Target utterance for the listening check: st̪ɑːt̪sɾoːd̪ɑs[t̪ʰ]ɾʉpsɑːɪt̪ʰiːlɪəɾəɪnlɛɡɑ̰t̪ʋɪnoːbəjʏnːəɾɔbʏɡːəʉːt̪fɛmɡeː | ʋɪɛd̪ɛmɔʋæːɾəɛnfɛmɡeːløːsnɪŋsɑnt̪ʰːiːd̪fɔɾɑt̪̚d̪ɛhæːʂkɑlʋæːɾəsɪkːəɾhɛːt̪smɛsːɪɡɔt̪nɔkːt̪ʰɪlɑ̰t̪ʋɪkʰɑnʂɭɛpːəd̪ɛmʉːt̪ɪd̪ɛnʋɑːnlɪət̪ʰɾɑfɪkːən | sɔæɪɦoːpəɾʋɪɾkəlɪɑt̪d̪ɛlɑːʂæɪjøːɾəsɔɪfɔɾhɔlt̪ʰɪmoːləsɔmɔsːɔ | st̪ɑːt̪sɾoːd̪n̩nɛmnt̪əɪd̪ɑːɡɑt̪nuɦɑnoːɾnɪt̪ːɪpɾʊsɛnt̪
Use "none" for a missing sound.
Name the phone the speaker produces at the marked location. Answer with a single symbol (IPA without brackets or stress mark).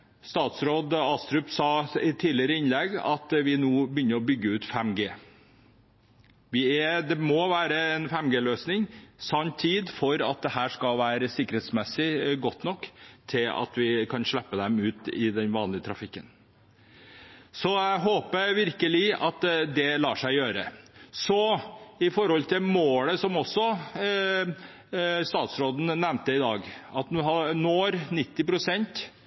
t̪